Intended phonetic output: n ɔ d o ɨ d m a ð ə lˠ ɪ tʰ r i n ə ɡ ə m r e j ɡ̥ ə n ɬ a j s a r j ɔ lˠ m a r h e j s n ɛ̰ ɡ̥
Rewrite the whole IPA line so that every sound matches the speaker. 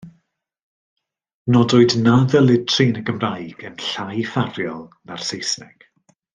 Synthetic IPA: n ɔ d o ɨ d n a ð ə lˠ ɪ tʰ r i n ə ɡ ə m r a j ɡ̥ ə n ɬ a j f a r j ɔ lˠ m a r s e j s n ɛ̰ ɡ̥